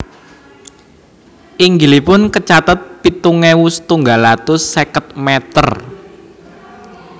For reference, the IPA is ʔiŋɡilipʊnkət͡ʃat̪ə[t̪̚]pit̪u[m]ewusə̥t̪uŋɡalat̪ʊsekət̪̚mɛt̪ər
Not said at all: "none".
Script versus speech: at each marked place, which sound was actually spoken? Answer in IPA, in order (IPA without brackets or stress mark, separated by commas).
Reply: t̪̚, ŋ